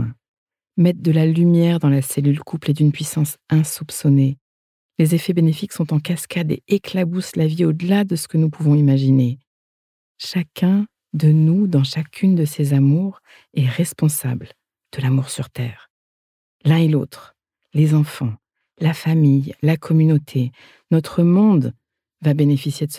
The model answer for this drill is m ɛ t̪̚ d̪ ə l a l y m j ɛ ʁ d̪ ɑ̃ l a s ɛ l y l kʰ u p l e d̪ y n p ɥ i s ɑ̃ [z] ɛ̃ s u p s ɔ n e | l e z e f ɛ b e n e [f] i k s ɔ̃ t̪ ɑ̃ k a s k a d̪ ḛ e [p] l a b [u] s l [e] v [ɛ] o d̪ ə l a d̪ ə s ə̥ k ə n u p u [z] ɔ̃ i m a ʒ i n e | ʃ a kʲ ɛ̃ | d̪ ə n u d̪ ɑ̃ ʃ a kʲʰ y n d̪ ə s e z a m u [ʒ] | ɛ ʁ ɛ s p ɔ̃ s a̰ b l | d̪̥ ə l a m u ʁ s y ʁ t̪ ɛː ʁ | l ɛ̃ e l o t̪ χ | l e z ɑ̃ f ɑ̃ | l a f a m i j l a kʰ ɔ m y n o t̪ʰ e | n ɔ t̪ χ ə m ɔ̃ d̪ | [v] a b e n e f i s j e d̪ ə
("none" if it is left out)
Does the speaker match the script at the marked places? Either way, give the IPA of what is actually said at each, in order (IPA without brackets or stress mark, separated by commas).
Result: s, f, k, u, a, i, v, ʁ, v